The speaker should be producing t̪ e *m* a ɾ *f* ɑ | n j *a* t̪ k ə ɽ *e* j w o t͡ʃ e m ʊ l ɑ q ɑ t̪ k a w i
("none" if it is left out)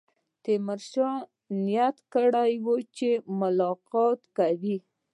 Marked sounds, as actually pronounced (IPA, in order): m, ʃ, a, a

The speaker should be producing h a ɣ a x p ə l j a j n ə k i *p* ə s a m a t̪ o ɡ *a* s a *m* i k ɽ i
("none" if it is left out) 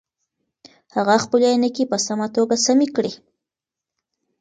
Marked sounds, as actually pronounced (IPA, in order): p, a, m

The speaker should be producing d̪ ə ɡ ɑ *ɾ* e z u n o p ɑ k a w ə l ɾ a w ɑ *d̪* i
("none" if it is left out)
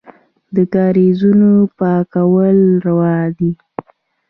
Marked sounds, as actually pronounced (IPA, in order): ɾ, d̪

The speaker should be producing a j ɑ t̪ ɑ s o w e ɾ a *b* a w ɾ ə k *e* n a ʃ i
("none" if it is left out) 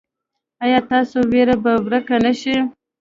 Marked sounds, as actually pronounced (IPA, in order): b, a

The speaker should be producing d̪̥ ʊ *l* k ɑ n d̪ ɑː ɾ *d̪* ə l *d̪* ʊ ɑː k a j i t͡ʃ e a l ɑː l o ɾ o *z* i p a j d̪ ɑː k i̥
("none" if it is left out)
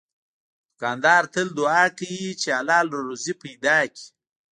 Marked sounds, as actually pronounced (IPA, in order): none, t̪, d̪, z

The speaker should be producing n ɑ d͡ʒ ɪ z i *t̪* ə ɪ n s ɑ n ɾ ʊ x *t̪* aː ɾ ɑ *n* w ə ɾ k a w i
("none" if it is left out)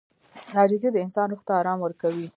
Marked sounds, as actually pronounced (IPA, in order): d̪, t̪, m

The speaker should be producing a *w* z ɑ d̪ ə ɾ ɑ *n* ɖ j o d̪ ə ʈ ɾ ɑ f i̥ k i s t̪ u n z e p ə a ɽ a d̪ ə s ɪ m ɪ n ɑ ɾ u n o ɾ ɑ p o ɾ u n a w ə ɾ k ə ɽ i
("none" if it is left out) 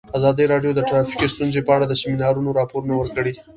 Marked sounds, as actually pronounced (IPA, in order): none, none

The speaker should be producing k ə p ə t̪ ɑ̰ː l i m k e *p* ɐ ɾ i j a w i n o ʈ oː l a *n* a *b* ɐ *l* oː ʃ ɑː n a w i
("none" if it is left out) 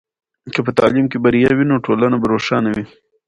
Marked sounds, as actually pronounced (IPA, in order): b, n, b, ɾ

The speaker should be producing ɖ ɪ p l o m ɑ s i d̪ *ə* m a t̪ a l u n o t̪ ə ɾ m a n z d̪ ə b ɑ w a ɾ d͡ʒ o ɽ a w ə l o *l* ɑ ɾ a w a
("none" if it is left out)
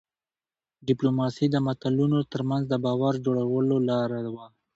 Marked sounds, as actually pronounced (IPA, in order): ə, l

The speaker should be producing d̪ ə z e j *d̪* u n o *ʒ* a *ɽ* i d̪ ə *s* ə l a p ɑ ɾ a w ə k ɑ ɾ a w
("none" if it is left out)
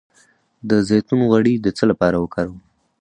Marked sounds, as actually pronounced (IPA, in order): t̪, ɣ, ɽ, t͡s

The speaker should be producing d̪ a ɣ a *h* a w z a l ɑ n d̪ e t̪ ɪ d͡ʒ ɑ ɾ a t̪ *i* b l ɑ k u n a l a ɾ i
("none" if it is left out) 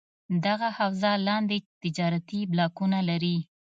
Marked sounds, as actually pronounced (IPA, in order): h, i

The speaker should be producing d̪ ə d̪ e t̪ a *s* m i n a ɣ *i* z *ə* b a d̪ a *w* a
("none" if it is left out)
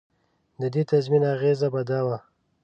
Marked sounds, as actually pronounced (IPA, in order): z, e, a, w

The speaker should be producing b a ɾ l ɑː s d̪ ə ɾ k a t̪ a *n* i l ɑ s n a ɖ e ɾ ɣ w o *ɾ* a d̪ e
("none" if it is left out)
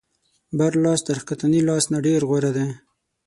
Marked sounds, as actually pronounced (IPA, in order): n, ɾ

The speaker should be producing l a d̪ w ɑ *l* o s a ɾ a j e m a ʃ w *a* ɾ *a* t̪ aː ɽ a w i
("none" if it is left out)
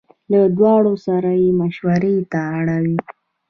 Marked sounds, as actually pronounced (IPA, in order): ɽ, a, e

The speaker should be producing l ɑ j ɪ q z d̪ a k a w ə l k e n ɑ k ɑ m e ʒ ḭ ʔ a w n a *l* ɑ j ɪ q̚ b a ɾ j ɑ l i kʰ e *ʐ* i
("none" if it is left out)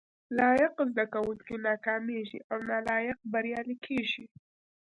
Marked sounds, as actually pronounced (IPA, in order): l, ʒ

